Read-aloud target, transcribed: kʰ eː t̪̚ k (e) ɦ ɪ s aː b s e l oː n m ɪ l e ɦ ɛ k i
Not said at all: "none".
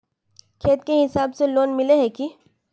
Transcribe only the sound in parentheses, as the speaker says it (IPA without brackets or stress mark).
e